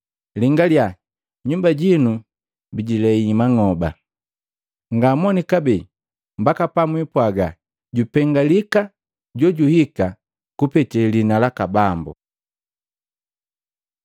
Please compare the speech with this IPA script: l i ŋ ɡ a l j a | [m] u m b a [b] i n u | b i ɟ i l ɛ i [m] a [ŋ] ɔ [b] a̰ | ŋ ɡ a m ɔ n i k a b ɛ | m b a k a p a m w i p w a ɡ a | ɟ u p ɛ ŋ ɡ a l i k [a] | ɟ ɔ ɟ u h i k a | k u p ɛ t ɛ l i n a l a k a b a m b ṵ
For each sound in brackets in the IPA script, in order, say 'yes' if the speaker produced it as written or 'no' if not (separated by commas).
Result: no, no, yes, yes, yes, yes